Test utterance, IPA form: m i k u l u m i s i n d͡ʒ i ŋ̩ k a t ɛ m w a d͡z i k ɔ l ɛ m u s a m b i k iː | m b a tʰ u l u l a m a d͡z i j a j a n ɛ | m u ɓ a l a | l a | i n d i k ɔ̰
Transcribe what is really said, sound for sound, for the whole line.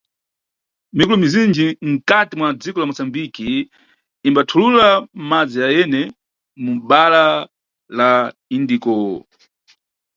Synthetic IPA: m i k u l u m i z i n d͡ʒ i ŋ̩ k a t i m w a d͡z i k ɔ l a m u s a m b i k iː | m b a tʰ u l u l a m a d͡z i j a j ɛ n ɛ | m u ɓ a l a | l a | i n d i k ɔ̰